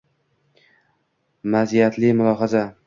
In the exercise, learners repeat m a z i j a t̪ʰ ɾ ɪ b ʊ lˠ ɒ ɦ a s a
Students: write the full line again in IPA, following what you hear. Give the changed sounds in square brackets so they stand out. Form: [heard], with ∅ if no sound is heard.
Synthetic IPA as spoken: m a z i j a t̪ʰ [l] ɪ [m] ʊ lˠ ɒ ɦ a [z] a